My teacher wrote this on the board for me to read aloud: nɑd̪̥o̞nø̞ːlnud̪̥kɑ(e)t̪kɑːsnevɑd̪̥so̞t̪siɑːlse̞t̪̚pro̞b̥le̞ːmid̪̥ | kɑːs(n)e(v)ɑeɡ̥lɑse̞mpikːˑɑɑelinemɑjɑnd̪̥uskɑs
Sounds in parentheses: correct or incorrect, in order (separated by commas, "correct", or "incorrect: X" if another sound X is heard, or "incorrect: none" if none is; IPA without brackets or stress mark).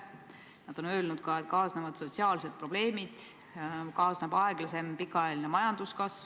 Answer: correct, correct, incorrect: b